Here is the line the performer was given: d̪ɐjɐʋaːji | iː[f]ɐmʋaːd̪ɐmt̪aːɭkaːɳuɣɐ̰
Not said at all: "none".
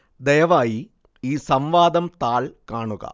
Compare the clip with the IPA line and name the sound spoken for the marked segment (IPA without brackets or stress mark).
s